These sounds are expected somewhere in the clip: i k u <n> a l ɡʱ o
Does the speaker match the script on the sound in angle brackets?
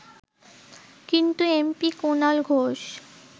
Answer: yes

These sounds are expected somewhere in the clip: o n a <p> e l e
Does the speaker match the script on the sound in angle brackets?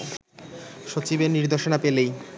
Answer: yes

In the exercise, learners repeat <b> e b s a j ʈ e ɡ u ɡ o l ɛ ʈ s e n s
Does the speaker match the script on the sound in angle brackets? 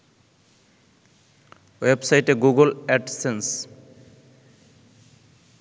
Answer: no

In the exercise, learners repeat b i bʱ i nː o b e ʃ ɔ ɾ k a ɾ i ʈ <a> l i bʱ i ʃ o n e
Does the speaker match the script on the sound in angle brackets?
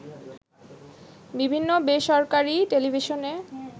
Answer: no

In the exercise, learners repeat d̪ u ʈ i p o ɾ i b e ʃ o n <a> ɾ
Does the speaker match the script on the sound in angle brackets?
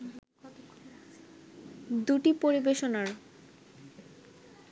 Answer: yes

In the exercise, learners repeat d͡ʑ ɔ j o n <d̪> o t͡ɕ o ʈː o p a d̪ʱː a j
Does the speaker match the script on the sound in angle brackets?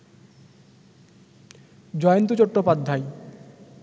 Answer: no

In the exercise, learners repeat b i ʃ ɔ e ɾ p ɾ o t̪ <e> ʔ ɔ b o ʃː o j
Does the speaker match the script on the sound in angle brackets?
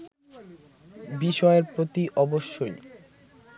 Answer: no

